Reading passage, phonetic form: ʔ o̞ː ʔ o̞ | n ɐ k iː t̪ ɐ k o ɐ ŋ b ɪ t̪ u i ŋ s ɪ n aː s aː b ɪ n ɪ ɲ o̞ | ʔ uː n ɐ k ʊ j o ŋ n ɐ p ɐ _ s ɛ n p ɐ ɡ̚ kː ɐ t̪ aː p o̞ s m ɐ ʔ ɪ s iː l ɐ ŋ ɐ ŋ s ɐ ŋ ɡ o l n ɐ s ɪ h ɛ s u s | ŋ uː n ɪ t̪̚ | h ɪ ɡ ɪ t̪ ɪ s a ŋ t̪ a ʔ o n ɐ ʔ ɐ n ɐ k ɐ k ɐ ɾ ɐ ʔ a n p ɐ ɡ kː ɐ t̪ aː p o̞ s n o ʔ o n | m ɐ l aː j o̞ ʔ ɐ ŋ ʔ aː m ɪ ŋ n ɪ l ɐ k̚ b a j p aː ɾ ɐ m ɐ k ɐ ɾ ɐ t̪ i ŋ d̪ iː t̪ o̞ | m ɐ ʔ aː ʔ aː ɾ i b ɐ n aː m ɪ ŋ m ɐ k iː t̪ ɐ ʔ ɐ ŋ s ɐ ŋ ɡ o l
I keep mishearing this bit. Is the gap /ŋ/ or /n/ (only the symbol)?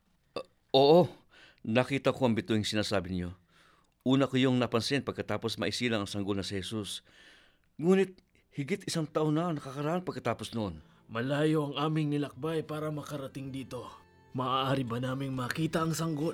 n